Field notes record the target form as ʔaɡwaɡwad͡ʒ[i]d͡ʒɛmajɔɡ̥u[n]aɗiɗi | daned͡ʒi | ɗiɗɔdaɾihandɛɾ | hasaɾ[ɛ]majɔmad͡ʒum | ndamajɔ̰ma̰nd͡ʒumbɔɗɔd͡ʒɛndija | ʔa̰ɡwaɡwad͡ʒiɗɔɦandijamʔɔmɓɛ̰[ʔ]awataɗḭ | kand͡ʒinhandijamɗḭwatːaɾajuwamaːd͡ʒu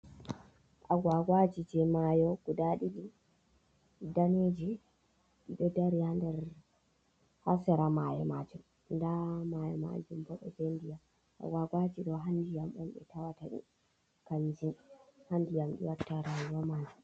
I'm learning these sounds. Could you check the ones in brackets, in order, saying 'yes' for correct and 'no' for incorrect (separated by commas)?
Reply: yes, no, no, no